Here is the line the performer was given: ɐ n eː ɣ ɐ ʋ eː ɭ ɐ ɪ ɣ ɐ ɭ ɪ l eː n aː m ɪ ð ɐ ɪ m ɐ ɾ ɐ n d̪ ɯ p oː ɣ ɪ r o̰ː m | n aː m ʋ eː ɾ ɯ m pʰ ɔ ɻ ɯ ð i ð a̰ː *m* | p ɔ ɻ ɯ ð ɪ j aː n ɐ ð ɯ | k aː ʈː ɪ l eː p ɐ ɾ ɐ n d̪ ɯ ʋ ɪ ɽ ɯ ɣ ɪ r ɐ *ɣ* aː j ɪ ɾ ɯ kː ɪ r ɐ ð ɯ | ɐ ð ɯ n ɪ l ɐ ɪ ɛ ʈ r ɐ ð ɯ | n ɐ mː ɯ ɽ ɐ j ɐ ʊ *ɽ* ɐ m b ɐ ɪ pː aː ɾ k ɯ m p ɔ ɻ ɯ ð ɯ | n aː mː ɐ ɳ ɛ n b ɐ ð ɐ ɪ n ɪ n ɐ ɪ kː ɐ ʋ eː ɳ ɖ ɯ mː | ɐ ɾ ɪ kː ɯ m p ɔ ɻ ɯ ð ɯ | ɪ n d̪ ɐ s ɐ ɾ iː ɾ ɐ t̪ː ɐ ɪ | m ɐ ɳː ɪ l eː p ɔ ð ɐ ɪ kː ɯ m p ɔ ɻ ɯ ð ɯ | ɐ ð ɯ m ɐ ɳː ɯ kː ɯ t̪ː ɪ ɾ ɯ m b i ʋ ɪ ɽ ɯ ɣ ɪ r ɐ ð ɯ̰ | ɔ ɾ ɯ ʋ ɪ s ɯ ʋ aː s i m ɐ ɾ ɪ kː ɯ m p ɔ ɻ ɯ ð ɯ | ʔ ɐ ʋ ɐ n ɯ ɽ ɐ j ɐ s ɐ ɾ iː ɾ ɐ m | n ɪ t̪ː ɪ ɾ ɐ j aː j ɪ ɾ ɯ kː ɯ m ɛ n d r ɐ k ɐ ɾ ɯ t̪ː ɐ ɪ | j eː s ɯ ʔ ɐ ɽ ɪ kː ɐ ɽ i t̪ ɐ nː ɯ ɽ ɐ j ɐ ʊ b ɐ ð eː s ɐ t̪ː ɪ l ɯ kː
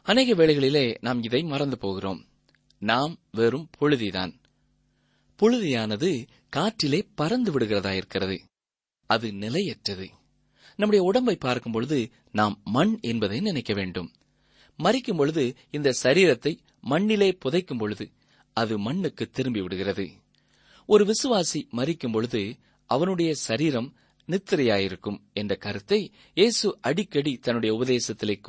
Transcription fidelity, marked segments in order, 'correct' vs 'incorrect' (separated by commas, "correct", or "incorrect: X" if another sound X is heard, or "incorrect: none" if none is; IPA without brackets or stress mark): incorrect: n, incorrect: ð, correct